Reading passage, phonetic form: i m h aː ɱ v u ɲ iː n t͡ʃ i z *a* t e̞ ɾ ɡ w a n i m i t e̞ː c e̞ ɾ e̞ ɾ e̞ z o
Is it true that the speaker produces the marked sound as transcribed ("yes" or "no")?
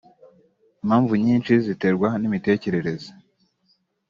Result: no